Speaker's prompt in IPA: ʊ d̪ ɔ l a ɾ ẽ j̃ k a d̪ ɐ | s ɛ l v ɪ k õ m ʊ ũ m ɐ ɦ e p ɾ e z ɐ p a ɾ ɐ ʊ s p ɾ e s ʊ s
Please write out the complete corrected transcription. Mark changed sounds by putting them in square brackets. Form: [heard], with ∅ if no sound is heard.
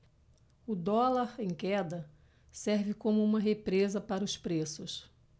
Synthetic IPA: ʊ d̪ ɔ l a ɾ ẽ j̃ k [ɛ] d̪ ɐ | s ɛ [ɾ] v ɪ k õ m ʊ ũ m ɐ ɦ e p ɾ e z ɐ p a ɾ ɐ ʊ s p ɾ e s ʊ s

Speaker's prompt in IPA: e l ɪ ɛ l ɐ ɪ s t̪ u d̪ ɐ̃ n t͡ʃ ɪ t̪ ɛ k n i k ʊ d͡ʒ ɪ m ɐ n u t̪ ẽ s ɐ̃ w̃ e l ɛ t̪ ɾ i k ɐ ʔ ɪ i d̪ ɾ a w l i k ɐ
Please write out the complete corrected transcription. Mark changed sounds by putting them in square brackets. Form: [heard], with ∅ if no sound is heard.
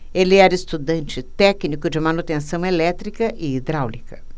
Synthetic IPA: e l ɪ ɛ [ɾ] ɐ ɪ s t̪ u d̪ ɐ̃ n t͡ʃ ɪ t̪ ɛ k n i k ʊ d͡ʒ ɪ m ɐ n u t̪ ẽ s ɐ̃ w̃ e l ɛ t̪ ɾ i k ɐ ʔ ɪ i d̪ ɾ a w l i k ɐ

